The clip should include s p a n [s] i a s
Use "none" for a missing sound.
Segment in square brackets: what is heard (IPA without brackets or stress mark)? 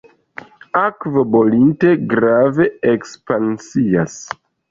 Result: s